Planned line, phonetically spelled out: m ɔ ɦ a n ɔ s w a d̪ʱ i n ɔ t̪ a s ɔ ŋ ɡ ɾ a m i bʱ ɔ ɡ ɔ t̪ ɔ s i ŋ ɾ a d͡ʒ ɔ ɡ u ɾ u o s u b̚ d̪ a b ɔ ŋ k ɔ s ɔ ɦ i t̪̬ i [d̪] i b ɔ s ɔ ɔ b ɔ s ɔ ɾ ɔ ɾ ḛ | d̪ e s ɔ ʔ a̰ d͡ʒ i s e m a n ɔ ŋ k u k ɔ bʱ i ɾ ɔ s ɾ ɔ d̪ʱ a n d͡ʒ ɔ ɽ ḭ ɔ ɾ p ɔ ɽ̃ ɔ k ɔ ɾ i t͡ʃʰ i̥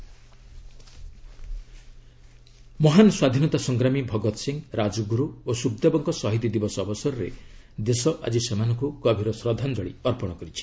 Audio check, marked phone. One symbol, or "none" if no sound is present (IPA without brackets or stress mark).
d̪